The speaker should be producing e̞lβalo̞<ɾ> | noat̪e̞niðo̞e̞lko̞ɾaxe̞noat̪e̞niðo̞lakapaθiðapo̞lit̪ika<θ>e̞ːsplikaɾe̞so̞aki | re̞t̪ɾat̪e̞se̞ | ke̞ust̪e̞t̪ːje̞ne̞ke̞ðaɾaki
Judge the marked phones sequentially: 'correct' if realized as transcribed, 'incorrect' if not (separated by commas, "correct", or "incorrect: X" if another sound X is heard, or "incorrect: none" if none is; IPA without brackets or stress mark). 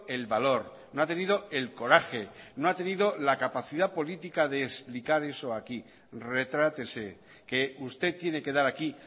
correct, incorrect: ð